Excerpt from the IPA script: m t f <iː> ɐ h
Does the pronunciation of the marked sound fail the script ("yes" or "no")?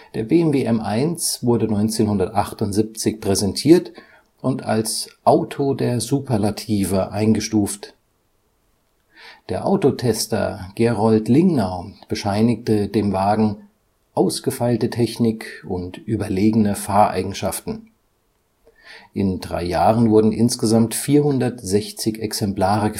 no